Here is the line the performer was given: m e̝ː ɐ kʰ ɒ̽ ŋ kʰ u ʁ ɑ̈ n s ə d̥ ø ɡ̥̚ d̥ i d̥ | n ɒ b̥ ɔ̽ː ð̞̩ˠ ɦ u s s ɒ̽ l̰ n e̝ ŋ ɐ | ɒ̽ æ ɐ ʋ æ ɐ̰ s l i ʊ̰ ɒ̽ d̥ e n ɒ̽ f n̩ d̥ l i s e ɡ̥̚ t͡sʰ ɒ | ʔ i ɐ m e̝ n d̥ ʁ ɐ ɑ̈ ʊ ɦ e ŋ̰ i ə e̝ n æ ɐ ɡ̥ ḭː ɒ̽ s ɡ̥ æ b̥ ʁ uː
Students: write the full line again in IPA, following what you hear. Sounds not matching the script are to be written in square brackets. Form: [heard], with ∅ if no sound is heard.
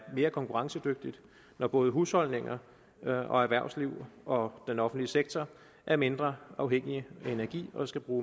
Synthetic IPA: m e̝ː ɐ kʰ ɒ̽ ŋ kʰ u ʁ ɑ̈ [ŋ] s ə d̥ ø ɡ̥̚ d̥ i d̥ | n ɒ b̥ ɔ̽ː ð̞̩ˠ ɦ u s [h] ɒ̽ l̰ n e̝ ŋ ɐ | ɒ̽ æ ɐ ʋ æ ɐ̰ s l i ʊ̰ ɒ̽ d̥ e n ɒ̽ f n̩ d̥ l i s e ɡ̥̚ t͡sʰ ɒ | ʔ [æ] ɐ m e̝ n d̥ ʁ ɐ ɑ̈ ʊ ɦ e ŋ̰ i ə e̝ n æ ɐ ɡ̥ ḭː ɒ̽ s ɡ̥ æ b̥ ʁ uː